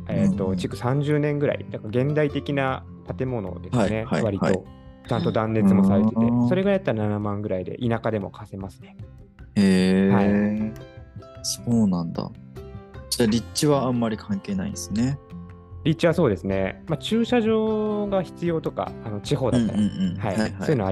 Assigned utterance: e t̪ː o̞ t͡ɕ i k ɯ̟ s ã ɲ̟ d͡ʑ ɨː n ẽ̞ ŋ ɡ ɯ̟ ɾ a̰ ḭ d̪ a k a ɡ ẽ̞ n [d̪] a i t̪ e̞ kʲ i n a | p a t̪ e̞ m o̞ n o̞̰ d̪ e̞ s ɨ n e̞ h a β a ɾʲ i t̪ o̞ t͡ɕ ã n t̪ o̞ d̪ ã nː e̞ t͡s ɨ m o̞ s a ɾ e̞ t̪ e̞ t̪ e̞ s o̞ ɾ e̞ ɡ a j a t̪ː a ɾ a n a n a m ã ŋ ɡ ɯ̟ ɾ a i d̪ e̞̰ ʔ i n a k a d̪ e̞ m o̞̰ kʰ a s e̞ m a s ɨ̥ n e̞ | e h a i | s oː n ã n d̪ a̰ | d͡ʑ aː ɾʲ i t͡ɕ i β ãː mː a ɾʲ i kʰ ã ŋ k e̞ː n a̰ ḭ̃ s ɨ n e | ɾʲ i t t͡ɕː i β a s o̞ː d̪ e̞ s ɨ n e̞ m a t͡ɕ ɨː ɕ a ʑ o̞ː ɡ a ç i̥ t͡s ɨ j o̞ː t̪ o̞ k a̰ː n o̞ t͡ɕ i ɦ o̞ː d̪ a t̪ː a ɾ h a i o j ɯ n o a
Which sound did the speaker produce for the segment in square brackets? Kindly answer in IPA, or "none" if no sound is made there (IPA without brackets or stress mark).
d̪